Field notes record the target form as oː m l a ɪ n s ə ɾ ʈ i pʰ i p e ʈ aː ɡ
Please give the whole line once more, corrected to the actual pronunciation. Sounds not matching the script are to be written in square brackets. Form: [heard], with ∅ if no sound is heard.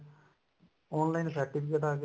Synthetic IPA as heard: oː [n] l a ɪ n s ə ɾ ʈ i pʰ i [k] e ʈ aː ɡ